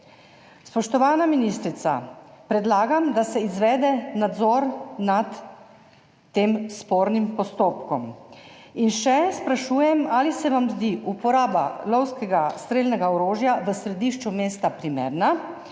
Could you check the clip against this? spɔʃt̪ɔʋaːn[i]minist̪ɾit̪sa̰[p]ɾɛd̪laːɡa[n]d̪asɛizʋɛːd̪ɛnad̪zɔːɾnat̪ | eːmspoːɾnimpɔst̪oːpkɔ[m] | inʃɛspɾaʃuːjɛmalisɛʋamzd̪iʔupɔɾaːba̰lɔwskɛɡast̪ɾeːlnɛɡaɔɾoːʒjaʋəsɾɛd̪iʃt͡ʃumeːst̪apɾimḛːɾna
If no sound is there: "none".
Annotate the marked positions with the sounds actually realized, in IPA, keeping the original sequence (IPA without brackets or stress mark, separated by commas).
a, p, m, m